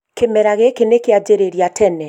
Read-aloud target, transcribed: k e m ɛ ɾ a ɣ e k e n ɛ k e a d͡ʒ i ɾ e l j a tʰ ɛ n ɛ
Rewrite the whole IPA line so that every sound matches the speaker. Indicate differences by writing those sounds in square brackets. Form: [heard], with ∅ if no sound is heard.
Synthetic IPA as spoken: k e m ɛ ɾ a ɣ e k e n [e] k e a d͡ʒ [e] ɾ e [ɾ] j a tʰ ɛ n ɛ